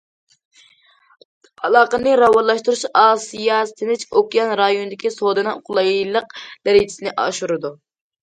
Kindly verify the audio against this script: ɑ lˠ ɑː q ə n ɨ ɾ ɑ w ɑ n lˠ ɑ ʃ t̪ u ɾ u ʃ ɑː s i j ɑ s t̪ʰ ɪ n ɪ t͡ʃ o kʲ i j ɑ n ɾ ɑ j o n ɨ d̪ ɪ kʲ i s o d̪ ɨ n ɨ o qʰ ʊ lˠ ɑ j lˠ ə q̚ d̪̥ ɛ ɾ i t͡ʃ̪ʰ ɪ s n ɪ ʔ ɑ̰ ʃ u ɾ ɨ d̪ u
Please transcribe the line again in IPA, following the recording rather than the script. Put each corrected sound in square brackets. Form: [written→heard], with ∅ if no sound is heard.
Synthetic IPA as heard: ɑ lˠ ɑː q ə n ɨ ɾ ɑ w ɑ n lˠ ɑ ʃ t̪ u ɾ u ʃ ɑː s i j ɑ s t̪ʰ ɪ n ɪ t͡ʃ o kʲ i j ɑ n ɾ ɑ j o n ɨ d̪ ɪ kʲ i s o d̪ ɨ n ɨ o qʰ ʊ lˠ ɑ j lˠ ə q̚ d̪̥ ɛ ɾ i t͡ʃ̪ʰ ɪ s n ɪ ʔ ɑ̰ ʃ u ɾ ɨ d̪ u

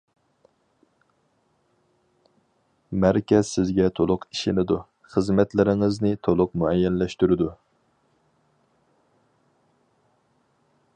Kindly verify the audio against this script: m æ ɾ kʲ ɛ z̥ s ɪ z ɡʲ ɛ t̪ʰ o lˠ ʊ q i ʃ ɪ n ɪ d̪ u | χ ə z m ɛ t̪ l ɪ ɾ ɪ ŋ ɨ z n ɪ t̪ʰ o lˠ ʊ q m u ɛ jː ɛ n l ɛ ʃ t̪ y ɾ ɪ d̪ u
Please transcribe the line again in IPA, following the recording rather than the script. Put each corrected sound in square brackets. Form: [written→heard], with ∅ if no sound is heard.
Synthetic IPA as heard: m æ ɾ kʲ ɛ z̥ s ɪ z ɡʲ ɛ t̪ʰ o lˠ ʊ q i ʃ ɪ n ɪ d̪ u | χ ə z m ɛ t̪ l ɪ ɾ ɪ ŋ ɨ z n ɪ t̪ʰ o lˠ ʊ q m u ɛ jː ɛ n l ɛ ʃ t̪ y ɾ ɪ d̪ u

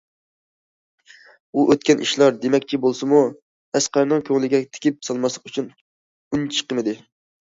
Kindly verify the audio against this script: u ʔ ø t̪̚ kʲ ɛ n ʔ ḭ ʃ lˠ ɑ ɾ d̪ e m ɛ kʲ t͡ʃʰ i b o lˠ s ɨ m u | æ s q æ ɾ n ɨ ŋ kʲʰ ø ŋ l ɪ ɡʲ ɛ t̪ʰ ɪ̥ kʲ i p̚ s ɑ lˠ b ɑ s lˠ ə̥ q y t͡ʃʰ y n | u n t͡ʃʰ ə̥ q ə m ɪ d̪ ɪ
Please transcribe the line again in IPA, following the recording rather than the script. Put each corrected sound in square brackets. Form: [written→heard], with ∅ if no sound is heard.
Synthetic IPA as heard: u ʔ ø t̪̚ kʲ ɛ n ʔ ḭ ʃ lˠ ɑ ɾ d̪ e m ɛ kʲ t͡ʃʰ i b o lˠ s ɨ m u | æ s q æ ɾ n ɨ ŋ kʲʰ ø ŋ l ɪ ɡʲ ɛ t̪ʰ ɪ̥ kʲ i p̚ s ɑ lˠ [b→m] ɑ s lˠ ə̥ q y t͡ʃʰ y n | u n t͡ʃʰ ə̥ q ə m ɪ d̪ ɪ

